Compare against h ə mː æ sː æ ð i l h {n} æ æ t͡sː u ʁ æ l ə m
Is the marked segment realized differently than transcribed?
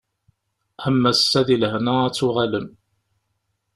no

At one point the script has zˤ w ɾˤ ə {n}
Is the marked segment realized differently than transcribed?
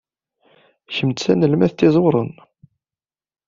no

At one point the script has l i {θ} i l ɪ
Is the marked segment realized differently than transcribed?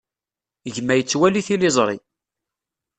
no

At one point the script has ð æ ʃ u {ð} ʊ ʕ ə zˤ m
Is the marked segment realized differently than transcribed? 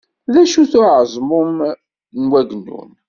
yes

